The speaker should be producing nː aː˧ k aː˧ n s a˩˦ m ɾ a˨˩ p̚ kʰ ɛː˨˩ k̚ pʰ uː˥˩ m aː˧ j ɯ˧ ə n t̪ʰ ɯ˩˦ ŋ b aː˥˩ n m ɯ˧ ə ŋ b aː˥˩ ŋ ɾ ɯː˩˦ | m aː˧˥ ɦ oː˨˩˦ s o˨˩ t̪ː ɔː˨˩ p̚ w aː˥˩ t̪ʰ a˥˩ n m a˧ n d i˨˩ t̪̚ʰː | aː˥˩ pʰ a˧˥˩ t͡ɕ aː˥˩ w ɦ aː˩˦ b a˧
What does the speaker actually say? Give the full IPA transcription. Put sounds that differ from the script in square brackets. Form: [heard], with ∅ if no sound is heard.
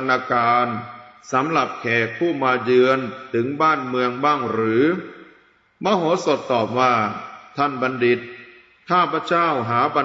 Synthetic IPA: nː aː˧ k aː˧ n s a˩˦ m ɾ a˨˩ p̚ kʰ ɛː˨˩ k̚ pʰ uː˥˩ m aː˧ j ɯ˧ ə n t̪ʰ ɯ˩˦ ŋ b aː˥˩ n m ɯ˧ ə ŋ b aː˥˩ ŋ ɾ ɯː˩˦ | m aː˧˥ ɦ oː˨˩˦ s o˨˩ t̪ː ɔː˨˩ p̚ w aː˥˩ t̪ʰ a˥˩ n [b] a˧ n d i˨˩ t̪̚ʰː | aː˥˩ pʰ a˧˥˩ t͡ɕ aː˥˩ w ɦ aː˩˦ b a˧

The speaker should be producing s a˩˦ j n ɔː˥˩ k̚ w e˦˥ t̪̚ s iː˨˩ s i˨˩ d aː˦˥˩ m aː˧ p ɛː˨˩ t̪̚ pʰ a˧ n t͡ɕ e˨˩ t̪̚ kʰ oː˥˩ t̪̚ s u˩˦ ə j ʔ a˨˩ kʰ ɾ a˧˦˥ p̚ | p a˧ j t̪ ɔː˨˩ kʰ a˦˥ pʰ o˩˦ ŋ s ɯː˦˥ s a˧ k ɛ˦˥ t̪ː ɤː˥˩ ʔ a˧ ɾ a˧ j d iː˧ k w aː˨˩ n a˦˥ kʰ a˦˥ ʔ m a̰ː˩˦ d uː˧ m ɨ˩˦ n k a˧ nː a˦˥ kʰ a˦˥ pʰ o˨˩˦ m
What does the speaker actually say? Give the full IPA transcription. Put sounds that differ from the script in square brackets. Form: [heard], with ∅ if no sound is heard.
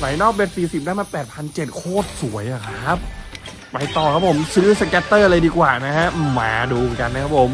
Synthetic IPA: s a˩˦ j n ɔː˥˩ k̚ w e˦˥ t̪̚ s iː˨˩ s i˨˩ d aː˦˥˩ m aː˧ p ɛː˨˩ t̪̚ pʰ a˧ n t͡ɕ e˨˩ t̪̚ kʰ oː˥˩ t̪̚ s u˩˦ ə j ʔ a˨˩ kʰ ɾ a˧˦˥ p̚ | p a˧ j t̪ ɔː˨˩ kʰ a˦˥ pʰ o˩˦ [m] s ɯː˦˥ s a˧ k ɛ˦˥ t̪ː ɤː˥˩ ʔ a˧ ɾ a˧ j d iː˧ k w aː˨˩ n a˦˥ kʰ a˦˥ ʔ m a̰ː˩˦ d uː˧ m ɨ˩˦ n k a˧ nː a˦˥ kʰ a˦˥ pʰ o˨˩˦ m

